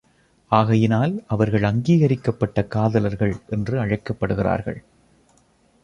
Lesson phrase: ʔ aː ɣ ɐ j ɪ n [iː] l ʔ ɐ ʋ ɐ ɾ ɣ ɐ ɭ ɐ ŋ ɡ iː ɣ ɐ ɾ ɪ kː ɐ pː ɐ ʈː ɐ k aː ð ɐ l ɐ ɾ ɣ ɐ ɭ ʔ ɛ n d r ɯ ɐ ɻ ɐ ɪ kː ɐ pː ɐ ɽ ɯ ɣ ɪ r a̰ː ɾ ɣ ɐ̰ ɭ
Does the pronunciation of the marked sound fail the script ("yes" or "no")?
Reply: yes